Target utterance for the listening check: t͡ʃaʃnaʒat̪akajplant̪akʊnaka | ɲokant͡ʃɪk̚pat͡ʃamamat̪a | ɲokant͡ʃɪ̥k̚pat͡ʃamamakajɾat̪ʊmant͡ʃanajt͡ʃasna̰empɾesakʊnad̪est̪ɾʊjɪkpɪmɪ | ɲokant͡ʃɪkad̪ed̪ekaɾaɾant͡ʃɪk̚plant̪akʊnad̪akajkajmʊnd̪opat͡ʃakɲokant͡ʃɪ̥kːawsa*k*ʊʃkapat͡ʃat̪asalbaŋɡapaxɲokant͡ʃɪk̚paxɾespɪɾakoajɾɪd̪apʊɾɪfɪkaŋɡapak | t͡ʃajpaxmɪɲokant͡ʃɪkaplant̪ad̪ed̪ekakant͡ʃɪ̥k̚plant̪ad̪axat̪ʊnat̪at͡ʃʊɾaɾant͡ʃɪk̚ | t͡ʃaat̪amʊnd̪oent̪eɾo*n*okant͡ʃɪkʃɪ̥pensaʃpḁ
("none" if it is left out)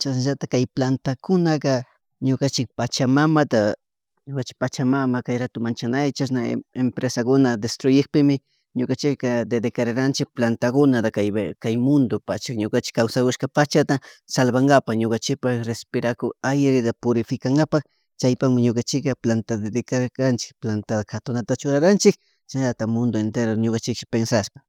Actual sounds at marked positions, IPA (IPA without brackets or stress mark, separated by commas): k, ɲ